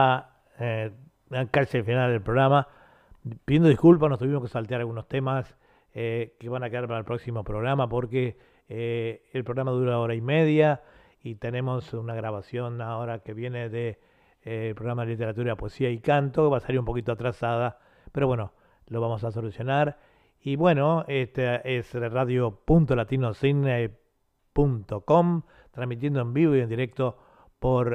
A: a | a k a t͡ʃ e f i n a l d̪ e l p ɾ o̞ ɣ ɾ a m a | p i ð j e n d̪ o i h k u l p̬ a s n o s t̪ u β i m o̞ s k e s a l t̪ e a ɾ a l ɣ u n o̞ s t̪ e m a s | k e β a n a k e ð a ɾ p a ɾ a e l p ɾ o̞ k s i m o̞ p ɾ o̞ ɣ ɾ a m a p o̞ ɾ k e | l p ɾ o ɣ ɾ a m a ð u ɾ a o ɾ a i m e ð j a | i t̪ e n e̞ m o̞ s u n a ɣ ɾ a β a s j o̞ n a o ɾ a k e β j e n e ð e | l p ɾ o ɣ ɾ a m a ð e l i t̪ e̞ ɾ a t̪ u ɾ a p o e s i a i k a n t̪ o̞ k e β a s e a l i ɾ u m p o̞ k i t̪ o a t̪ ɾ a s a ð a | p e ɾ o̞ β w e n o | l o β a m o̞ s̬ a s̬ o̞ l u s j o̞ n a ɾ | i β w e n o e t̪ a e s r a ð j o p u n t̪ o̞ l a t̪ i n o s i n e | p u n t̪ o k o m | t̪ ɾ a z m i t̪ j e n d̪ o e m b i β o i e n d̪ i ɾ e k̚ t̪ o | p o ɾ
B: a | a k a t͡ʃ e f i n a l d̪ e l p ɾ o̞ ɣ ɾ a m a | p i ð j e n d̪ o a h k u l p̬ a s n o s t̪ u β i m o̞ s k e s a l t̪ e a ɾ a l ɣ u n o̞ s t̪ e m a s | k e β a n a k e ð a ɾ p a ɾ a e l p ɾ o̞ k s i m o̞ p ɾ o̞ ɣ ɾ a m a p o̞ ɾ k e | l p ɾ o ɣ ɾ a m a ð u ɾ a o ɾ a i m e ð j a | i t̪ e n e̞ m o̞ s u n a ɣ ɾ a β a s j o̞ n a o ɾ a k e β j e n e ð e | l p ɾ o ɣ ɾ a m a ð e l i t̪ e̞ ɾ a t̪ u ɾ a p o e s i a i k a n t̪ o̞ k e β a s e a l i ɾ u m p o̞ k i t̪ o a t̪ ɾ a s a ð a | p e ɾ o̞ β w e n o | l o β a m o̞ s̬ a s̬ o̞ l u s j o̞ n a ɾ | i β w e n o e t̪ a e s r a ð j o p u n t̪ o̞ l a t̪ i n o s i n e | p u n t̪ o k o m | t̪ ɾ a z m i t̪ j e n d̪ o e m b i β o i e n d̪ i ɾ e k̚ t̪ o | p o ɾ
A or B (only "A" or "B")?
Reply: A